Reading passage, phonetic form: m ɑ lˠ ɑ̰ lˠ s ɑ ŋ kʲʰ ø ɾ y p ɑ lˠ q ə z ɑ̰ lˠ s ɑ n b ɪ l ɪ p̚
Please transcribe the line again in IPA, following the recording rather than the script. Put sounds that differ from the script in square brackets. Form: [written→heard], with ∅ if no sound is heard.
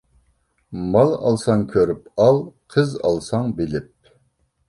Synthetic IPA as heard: m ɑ lˠ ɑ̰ lˠ s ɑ ŋ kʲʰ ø ɾ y p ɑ lˠ [q→qʰ] ə z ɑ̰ lˠ s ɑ [n→ŋ] b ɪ l ɪ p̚